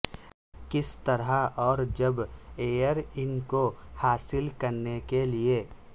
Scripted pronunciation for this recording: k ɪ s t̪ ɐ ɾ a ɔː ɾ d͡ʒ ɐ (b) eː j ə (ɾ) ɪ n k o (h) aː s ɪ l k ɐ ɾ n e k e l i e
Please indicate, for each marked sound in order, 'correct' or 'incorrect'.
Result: correct, correct, correct

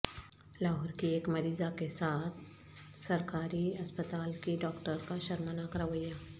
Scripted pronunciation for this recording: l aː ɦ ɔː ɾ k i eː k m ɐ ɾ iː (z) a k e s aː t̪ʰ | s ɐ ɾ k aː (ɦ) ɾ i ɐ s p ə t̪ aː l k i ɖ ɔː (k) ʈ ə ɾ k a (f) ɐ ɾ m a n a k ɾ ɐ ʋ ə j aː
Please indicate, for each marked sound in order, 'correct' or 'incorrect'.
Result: correct, incorrect: none, correct, incorrect: ʃ

